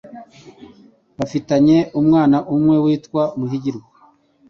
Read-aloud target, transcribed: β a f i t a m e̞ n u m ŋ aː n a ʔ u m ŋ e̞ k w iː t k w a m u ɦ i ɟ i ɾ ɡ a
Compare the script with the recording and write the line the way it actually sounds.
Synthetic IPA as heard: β a f i t a ɲ e̞ u m ŋ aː n a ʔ u m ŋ e̞ w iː t k w a m u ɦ i ɟ i ɾ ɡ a